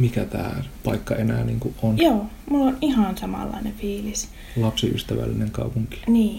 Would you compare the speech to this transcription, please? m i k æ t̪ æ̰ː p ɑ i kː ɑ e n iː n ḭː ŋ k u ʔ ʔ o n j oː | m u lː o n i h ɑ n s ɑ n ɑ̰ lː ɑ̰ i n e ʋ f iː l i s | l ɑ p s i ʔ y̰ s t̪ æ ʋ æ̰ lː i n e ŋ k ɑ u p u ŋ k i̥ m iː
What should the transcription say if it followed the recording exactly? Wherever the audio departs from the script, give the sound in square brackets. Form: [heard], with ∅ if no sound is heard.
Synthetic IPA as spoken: m i k æ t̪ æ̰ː p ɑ i kː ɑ e n [æː] n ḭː ŋ k u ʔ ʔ o n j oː | m u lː o n i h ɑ n s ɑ [m] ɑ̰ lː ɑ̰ i n e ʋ f iː l i s | l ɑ p s i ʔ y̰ s t̪ æ ʋ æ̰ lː i n e ŋ k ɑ u p u ŋ k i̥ [n] iː